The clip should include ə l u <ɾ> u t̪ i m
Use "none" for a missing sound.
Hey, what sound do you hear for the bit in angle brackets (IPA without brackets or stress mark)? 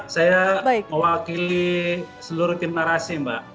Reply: ɾ